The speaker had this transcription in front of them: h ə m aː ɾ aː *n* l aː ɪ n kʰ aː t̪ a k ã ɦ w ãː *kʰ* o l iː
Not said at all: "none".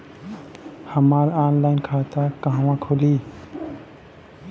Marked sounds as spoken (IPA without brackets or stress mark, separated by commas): n, kʰ